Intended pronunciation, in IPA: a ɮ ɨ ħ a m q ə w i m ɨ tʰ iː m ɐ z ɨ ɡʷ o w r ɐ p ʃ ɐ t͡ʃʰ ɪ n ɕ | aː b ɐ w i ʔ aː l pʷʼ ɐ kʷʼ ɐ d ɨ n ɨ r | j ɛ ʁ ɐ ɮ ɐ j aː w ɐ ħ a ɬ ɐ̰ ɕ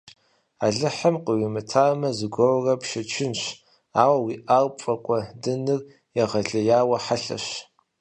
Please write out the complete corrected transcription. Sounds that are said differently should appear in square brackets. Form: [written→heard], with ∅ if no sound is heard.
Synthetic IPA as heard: a ɮ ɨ ħ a m q ə w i m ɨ tʰ [iː→aː] m ɐ z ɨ ɡʷ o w r ɐ p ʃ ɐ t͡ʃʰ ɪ n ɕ | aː [b→w] ɐ w i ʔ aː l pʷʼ ɐ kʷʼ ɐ d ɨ n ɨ r | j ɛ ʁ ɐ ɮ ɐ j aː w ɐ ħ a ɬ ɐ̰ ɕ

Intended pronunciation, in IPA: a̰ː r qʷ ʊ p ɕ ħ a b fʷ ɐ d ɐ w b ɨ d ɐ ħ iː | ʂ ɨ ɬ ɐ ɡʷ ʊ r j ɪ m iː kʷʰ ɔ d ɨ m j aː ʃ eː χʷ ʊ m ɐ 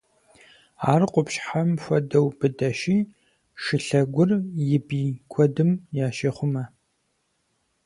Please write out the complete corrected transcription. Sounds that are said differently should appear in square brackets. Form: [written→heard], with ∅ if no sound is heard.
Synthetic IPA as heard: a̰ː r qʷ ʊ p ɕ ħ a [b→m] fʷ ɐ d ɐ w b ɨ d ɐ [ħ→ʃ] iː | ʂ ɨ ɬ ɐ ɡʷ ʊ r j ɪ [m→b] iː kʷʰ ɔ d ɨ m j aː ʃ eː χʷ ʊ m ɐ

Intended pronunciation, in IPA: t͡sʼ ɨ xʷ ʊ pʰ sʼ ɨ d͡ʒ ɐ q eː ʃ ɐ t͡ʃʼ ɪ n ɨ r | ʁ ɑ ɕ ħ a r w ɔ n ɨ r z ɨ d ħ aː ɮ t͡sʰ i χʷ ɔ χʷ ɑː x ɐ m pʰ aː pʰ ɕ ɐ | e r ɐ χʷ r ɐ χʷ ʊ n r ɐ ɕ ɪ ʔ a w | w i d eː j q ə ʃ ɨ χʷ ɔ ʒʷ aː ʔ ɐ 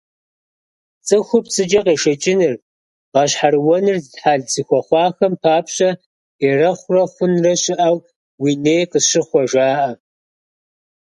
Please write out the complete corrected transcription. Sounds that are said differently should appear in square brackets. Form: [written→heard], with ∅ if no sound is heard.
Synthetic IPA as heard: t͡sʼ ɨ xʷ ʊ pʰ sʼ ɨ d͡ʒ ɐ q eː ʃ ɐ t͡ʃʼ ɪ n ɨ r | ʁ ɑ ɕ ħ a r w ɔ n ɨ r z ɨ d ħ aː ɮ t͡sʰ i [χʷ→xʷ] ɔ χʷ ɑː x ɐ m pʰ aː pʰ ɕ ɐ | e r ɐ χʷ r ɐ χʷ ʊ n r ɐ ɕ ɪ ʔ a w | w i [d→n] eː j q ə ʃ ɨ χʷ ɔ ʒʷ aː ʔ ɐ

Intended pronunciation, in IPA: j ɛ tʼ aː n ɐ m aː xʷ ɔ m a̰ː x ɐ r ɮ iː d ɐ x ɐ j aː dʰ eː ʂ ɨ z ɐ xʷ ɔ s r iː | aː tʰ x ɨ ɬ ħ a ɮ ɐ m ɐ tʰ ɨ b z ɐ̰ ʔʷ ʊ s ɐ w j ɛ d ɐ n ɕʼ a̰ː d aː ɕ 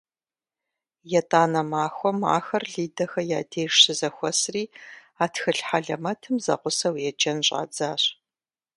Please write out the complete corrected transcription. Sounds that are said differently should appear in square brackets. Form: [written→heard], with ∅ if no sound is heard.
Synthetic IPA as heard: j ɛ tʼ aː n ɐ m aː xʷ ɔ m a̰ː x ɐ r ɮ iː d ɐ x ɐ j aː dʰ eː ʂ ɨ z ɐ xʷ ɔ s r iː | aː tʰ x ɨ ɬ ħ a ɮ ɐ m ɐ tʰ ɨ [b→m] z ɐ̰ [ʔʷ→qʷ] ʊ s ɐ w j ɛ [d→d͡ʒ] ɐ n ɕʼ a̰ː [d→d͡z] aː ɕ

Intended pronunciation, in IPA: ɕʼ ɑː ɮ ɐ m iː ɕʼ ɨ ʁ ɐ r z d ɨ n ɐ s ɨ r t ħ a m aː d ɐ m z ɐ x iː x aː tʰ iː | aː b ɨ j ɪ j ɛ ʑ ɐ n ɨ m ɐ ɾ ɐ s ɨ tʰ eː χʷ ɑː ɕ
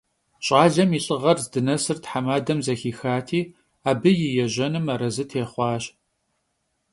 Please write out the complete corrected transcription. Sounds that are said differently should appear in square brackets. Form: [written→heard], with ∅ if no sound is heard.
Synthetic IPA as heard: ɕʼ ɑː ɮ ɐ m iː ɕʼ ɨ ʁ ɐ r z d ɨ n ɐ s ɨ r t ħ a m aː d ɐ m z ɐ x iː x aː tʰ iː | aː b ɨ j ɪ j ɛ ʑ ɐ n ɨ m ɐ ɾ ɐ [s→z] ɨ tʰ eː χʷ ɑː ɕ

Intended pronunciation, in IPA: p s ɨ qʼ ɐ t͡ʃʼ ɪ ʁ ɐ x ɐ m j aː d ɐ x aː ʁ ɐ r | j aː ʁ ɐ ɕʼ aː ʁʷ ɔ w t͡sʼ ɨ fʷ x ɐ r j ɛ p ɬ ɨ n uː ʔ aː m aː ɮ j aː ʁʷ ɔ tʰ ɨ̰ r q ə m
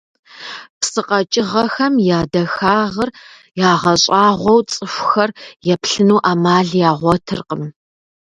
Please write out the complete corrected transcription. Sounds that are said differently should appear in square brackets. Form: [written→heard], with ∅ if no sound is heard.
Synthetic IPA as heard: p s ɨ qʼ ɐ t͡ʃʼ ɪ ʁ ɐ x ɐ m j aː d ɐ x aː ʁ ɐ r | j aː ʁ ɐ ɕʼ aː ʁʷ ɔ w t͡sʼ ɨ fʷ x ɐ r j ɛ p ɬ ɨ n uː ʔ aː m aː ɮ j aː ʁʷ ɔ tʰ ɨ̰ r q ə m

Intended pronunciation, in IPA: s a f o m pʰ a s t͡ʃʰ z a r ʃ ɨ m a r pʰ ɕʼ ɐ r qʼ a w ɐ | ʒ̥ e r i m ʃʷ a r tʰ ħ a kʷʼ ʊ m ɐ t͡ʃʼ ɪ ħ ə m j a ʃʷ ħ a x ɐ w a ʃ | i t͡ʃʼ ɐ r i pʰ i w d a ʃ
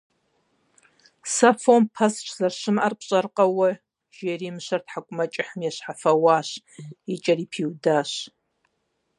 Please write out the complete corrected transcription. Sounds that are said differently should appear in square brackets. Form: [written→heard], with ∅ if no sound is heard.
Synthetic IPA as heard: s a f o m pʰ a s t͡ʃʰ z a r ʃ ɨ m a r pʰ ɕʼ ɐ r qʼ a w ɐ | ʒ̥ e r i m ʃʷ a r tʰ ħ a kʷʼ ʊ m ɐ t͡ʃʼ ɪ ħ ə m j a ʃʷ ħ a [x→f] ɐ w a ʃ | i t͡ʃʼ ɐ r i pʰ i w d a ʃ

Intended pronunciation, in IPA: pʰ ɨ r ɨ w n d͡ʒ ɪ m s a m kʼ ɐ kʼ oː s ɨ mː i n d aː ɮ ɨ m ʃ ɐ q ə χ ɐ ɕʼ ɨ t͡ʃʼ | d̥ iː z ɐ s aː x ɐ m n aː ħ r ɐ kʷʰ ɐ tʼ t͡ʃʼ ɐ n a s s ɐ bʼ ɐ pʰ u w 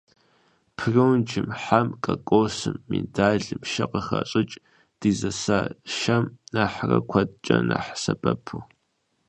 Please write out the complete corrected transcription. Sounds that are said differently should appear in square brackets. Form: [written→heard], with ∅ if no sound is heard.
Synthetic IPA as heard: pʰ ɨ r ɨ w n d͡ʒ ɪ m [s→ħ] a m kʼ ɐ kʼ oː s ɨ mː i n d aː ɮ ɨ m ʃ ɐ q ə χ ɐ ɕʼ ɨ t͡ʃʼ | d̥ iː z ɐ s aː [x→ʃ] ɐ m n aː ħ r ɐ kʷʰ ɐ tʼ t͡ʃʼ ɐ n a [s→ħ] s ɐ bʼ ɐ pʰ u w

